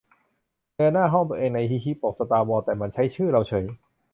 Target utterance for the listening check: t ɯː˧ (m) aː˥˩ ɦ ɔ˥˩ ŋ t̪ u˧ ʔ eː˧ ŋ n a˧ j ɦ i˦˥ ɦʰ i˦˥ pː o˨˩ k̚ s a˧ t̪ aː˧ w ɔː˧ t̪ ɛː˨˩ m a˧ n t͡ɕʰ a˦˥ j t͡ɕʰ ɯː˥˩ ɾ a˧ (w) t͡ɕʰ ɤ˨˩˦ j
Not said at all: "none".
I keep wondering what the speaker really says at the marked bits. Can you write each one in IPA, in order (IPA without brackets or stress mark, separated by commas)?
n, w